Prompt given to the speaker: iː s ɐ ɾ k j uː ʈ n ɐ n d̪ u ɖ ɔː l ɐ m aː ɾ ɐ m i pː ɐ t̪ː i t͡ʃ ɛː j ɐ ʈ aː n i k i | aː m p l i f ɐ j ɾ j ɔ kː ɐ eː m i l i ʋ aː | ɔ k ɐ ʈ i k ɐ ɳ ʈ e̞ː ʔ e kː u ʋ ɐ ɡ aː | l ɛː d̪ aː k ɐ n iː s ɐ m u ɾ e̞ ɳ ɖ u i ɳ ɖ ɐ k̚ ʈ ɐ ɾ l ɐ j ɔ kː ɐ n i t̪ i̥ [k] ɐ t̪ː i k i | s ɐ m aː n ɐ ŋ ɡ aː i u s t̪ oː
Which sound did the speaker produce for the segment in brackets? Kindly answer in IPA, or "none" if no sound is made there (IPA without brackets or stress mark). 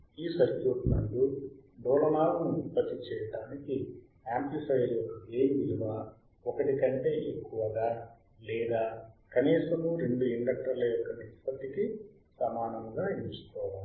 p